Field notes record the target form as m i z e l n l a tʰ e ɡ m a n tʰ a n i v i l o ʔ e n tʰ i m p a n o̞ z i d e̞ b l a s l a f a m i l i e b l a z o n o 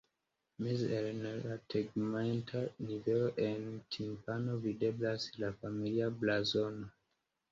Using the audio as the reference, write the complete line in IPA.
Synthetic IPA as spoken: m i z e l n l a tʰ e ɡ m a n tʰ a n i v e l o ʔ e n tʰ i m p a n o̞ v i d e̞ b l a s l a f a m i l i a b l a z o n o